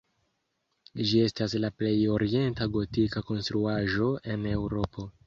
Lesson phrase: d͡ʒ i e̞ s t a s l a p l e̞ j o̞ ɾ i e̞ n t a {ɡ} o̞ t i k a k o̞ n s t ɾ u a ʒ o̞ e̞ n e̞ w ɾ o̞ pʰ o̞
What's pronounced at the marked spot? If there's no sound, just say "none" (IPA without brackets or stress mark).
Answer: ɡ